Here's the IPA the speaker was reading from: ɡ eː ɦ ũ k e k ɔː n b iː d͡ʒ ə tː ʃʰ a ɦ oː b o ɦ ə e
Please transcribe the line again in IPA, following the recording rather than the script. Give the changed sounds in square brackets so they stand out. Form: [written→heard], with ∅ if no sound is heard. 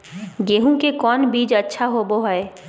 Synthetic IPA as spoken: ɡ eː ɦ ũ k e k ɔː n b iː d͡ʒ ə tː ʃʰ a ɦ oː b o ɦ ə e